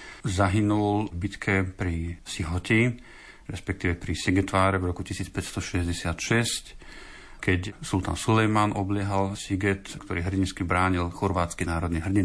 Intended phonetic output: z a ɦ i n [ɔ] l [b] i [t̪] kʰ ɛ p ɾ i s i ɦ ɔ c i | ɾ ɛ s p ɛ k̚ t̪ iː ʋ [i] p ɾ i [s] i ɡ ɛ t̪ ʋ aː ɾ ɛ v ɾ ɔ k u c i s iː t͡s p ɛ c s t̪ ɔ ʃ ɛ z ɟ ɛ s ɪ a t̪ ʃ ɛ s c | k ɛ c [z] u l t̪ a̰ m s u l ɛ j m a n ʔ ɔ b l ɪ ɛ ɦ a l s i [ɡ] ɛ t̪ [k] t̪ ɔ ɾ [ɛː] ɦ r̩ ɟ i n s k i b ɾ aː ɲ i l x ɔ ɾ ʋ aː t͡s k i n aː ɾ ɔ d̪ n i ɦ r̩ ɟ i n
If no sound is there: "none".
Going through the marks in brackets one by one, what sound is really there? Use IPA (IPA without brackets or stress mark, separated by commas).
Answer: u, b, t̪, ɛ, s, s, ɡ, k, iː